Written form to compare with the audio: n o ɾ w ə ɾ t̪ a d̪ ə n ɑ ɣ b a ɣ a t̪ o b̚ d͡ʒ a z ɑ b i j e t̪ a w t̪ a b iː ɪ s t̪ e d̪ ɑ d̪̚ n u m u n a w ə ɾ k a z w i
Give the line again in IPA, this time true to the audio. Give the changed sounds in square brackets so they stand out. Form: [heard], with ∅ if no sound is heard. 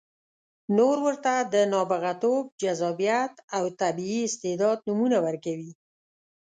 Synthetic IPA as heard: n o ɾ w ə ɾ t̪ a d̪ ə n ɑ [∅] b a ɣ a t̪ o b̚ d͡ʒ a z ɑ b i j [a] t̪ a w t̪ a b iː ɪ s t̪ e d̪ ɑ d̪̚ n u m u n a w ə ɾ k a [∅] w i